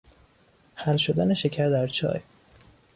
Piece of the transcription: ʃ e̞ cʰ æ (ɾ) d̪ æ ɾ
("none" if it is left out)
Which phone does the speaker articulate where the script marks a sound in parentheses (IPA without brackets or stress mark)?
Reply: ɾ